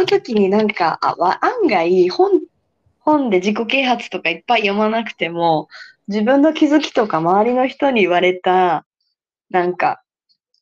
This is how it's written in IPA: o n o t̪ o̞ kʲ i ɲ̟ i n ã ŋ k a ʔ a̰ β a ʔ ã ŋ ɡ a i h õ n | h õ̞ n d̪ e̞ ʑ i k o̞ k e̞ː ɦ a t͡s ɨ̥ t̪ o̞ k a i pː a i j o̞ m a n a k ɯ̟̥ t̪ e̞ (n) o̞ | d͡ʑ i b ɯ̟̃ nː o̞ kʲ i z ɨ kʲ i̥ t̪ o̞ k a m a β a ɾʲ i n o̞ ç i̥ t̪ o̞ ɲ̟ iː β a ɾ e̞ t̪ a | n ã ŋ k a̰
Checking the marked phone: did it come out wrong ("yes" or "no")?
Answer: yes